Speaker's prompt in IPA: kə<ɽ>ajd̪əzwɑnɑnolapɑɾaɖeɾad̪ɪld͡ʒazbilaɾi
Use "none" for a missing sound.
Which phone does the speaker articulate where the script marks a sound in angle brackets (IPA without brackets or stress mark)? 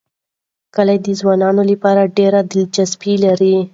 l